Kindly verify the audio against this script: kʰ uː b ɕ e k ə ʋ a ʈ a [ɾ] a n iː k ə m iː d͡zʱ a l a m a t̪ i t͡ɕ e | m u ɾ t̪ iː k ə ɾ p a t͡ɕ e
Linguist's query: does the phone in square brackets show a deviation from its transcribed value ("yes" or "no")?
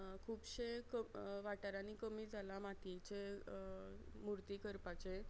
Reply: no